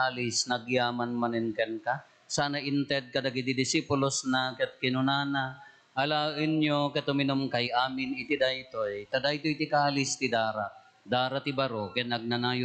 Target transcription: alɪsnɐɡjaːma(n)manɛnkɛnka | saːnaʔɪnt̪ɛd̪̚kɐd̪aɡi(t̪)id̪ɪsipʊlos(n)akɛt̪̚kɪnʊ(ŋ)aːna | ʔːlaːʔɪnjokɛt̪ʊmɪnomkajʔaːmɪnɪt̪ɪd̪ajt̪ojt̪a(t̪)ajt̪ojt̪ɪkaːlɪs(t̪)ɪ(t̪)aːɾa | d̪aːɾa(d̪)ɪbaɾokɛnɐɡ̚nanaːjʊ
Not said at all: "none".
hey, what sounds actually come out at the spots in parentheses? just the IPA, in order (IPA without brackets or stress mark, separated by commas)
n, d̪, n, n, d̪, t̪, d̪, t̪